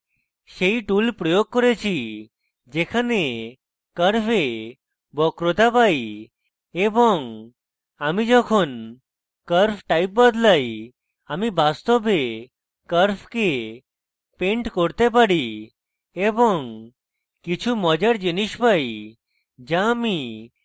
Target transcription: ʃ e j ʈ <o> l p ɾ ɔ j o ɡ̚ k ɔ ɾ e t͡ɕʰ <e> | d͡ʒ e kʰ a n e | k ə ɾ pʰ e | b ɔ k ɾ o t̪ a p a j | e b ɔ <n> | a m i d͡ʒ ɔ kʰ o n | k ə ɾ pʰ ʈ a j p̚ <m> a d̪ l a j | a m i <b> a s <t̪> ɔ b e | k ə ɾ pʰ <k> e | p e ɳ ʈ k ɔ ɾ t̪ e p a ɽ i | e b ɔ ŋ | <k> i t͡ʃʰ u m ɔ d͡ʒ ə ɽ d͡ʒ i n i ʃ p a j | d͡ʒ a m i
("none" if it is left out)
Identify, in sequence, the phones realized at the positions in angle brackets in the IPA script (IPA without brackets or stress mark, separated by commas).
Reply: u, i, ŋ, b, b, t̪, k, k